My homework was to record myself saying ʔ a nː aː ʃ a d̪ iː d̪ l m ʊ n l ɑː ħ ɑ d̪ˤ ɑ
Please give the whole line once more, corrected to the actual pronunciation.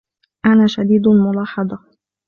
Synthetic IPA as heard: ʔ a n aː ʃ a d̪ iː d̪ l m ʊ l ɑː ħ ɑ d̪ˤ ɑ